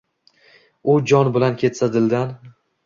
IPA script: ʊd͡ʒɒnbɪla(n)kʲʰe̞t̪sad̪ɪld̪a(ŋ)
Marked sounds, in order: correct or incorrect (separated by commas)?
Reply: correct, incorrect